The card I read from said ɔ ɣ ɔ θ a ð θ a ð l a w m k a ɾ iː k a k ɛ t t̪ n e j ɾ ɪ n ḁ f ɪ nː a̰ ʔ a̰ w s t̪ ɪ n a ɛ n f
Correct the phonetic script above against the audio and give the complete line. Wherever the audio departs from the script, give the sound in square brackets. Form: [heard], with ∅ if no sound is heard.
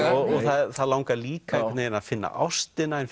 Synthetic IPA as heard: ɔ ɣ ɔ θ a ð θ a ð l a w [ŋ] k a [l] iː k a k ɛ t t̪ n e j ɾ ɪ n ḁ f ɪ nː a̰ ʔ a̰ w s t̪ ɪ n a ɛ n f

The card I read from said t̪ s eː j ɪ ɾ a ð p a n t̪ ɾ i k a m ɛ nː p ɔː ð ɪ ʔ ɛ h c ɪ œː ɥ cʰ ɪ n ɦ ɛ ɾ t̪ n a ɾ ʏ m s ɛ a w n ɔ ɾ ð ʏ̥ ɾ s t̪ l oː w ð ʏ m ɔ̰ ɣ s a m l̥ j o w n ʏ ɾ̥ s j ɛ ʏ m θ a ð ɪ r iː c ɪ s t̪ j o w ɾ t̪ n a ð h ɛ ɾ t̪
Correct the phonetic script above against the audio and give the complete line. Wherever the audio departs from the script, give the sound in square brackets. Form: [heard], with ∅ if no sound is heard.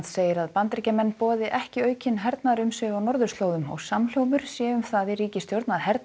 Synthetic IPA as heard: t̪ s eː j ɪ ɾ a ð p a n t̪ ɾ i [c] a m ɛ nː p ɔː ð ɪ ʔ ɛ h c ɪ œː ɥ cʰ ɪ n ɦ ɛ ɾ t̪ n a ɾ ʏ m s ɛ a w n ɔ ɾ ð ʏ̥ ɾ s t̪ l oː w ð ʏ m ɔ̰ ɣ s a m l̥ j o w [m] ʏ ɾ̥ s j ɛ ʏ m θ a ð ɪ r iː c ɪ s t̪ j o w ɾ t̪ n a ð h ɛ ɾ t̪

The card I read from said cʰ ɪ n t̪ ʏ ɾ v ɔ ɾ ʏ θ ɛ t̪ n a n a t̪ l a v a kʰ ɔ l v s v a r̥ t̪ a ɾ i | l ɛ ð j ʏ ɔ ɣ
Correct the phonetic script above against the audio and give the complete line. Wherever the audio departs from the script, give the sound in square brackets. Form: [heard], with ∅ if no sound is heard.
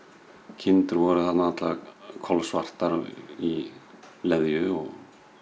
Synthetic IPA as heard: cʰ ɪ n t̪ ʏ ɾ v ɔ ɾ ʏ θ [a] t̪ n a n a t̪ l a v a kʰ ɔ l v s v a r̥ t̪ a ɾ i | l ɛ ð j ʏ ɔ ɣ

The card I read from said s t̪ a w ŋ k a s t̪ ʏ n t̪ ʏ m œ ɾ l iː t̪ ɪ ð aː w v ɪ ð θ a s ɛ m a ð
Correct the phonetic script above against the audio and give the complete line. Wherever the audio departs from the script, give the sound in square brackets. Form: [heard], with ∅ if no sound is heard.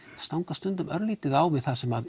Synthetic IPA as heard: s t̪ a w ŋ k a s t̪ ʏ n t̪ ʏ m œ ɾ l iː t̪ ɪ ð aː w v ɪ ð θ a s ɛ m a ð

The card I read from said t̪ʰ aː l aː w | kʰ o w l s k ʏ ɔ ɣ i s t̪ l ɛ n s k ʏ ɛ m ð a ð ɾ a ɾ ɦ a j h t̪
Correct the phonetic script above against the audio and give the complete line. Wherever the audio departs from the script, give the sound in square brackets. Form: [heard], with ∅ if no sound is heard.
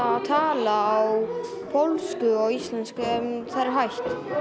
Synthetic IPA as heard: t̪ʰ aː l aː w | [pʰ] o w l s k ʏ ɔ ɣ i s t̪ l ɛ n s k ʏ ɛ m [θ] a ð ɾ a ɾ ɦ a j h t̪

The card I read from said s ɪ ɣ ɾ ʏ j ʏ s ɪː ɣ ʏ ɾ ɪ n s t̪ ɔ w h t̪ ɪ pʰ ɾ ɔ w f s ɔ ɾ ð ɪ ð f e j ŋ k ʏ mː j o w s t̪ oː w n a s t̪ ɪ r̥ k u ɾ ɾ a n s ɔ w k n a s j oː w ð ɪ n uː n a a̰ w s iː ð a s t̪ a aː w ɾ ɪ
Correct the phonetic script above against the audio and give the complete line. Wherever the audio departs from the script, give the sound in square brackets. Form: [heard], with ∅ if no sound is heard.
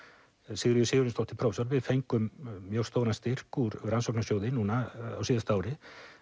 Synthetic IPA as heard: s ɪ ɣ ɾ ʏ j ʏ s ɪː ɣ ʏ ɾ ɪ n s t̪ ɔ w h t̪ ɪ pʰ ɾ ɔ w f s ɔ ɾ [v] ɪ ð f e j ŋ k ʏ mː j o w s t̪ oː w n a s t̪ ɪ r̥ k u ɾ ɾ a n s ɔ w k n a s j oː w ð ɪ n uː n a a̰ w s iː ð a s t̪ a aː w ɾ ɪ

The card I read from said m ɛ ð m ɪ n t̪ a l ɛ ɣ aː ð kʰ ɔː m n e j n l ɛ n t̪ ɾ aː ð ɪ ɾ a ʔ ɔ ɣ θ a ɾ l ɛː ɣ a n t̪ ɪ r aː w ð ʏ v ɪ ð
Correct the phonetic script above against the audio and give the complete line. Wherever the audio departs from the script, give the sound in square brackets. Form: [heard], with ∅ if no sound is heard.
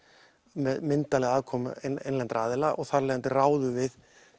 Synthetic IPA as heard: m ɛ ð m ɪ n t̪ a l ɛ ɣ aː ð kʰ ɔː m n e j n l ɛ n t̪ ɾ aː ð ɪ [l] a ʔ ɔ ɣ θ a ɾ l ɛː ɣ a n t̪ ɪ r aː w ð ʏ v ɪ ð

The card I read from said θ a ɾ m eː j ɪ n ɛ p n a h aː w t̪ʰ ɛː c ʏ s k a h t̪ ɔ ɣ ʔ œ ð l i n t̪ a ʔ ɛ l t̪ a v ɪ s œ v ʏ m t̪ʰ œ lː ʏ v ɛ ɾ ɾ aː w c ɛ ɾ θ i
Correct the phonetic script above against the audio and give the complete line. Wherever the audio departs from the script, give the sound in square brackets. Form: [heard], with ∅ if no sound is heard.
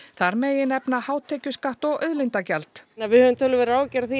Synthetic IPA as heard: θ a ɾ m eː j ɪ n ɛ p n a h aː w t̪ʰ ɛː c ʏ s k a h t̪ ɔ ɣ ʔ œ ð l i n t̪ a [c] ɛ l t̪ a v ɪ [h] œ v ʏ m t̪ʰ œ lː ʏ v ɛ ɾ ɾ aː w c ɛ ɾ θ i

